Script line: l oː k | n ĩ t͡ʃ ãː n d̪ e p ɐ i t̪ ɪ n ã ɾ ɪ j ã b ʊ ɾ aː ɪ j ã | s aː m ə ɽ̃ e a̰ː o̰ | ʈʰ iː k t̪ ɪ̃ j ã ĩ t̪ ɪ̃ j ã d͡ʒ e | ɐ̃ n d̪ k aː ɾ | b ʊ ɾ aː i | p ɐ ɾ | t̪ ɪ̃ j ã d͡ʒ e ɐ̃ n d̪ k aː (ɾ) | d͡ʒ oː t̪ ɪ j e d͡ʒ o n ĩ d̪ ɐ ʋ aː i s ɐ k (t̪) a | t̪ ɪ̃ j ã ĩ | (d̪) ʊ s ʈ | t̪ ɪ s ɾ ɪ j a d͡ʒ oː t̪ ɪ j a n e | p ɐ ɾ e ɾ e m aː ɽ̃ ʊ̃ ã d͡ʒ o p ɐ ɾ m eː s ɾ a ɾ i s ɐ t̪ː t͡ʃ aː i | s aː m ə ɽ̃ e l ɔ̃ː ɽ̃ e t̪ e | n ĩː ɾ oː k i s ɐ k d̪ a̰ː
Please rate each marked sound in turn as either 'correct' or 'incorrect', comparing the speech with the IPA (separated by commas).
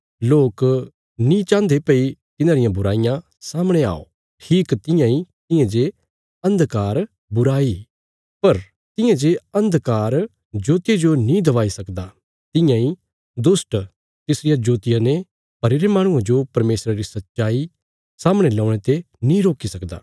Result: correct, incorrect, correct